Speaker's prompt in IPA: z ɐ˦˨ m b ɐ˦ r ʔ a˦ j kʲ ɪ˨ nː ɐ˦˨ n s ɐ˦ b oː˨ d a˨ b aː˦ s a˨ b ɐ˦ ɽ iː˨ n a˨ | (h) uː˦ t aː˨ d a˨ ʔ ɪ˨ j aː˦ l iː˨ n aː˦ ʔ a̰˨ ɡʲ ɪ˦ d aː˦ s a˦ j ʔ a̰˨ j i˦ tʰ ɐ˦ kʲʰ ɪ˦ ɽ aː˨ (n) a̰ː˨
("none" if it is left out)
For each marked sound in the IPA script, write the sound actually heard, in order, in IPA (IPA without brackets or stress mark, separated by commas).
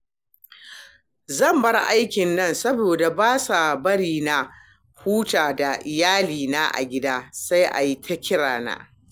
h, n